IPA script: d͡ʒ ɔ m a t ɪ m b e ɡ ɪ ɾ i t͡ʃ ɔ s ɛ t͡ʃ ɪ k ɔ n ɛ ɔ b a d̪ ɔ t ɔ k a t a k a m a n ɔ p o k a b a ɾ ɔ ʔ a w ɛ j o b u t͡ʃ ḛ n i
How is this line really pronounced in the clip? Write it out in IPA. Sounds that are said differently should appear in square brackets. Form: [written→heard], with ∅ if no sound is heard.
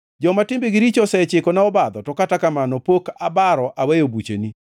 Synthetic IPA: d͡ʒ ɔ m a t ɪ m b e ɡ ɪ ɾ i t͡ʃ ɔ s ɛ t͡ʃ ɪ k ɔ n [ɛ→a] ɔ b a d̪ ɔ t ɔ k a t a k a m a n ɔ p o k a b a ɾ ɔ ʔ a w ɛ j o b u t͡ʃ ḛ n i

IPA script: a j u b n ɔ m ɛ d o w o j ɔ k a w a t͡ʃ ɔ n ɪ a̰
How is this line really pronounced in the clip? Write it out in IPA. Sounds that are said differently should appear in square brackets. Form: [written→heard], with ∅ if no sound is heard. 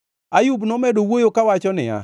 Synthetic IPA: a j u b n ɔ m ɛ d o w o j [ɔ→o] k a w a t͡ʃ ɔ n ɪ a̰

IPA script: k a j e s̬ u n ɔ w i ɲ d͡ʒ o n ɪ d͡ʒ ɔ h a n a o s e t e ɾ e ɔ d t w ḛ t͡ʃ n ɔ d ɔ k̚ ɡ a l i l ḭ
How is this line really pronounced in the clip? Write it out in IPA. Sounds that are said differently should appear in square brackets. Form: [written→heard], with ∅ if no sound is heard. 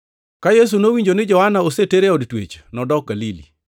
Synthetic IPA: k a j e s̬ u n [ɔ→o] w i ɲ d͡ʒ o n ɪ d͡ʒ ɔ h a n a o s e t e ɾ e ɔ d t w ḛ t͡ʃ n ɔ d ɔ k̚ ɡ a l i l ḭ

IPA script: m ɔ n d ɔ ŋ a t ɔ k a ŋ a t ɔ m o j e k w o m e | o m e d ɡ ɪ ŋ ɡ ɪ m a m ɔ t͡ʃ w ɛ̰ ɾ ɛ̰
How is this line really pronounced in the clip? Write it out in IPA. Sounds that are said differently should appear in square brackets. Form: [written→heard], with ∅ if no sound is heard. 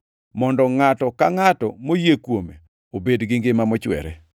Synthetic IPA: m ɔ n d ɔ ŋ a t ɔ k a ŋ a t ɔ m o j e k w o m e | o [m→b] e d ɡ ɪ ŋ ɡ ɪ m a m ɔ t͡ʃ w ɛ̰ ɾ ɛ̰

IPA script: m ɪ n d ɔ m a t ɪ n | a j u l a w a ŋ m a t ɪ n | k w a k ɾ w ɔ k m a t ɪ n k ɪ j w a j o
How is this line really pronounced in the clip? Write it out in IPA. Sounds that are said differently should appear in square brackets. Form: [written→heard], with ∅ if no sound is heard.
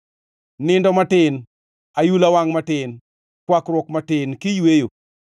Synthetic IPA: [m→n] ɪ n d ɔ m a t ɪ n | a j u l a w a ŋ m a t ɪ n | k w a k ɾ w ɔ k m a t ɪ n k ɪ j w [a→e] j o

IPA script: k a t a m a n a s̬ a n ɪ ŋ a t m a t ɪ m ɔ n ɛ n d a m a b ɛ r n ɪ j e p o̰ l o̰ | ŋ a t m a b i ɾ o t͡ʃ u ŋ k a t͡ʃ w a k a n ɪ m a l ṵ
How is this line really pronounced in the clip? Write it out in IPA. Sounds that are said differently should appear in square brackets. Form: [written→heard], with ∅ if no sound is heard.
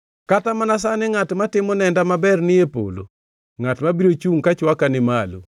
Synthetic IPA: k a t a m a n a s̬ a n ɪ ŋ a t m a t ɪ m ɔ n ɛ n d a m a b ɛ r n ɪ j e p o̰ l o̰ | ŋ a t m a b i ɾ o t͡ʃ u ŋ k a t͡ʃ w a k a n ɪ m a l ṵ

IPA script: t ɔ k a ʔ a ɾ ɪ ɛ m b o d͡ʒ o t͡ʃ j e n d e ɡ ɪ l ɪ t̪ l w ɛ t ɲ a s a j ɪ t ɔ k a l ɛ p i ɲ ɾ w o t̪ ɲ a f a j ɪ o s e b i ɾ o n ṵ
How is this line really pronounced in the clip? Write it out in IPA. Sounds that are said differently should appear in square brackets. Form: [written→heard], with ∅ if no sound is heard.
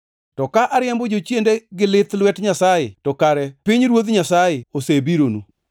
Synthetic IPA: t ɔ k a ʔ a ɾ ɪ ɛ m b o d͡ʒ o t͡ʃ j e n d e ɡ ɪ l ɪ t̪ l w ɛ t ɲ a s a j ɪ t ɔ k a [l→ɾ] ɛ p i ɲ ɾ w o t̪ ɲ a [f→s] a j ɪ o s e b i ɾ o n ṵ

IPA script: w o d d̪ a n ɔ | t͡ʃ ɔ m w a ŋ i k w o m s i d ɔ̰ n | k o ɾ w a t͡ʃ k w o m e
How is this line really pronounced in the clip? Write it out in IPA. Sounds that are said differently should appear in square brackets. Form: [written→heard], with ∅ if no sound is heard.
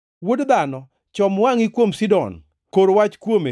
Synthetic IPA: w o d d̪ a n ɔ | t͡ʃ ɔ m w a ŋ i k w o m s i d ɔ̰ n | k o ɾ w a t͡ʃ k w o m e

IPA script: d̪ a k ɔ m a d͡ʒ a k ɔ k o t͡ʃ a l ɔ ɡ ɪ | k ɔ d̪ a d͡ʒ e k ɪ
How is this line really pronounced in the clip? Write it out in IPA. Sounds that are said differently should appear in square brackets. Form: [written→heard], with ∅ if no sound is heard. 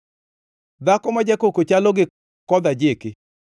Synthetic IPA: d̪ a k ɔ m a d͡ʒ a k [ɔ→o] k o t͡ʃ a l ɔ ɡ ɪ | k ɔ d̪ a d͡ʒ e k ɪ

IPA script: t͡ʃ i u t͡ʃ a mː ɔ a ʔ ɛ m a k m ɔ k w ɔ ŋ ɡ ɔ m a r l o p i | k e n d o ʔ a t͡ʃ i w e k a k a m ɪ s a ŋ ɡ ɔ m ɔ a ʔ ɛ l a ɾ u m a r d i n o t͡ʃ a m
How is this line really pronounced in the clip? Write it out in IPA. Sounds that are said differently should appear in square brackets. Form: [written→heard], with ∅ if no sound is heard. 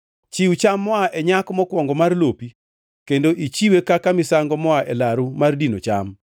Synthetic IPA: t͡ʃ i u t͡ʃ a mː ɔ a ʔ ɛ [m→ɲ] a k m ɔ k w ɔ ŋ ɡ ɔ m a r l o p i | k e n d o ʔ [a→i] t͡ʃ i w e k a k a m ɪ s a ŋ ɡ ɔ m ɔ a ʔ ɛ l a ɾ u m a r d i n o t͡ʃ a m

